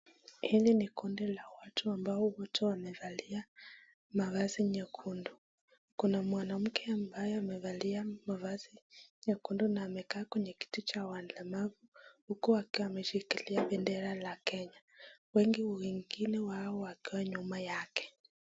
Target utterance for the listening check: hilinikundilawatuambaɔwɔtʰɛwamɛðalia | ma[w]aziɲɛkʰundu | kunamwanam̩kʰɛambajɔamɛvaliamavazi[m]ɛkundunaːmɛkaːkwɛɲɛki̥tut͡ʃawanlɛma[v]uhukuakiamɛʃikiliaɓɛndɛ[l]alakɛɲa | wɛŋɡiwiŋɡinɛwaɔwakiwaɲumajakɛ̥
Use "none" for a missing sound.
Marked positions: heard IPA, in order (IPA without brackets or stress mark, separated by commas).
v, ɲ, v, ɾ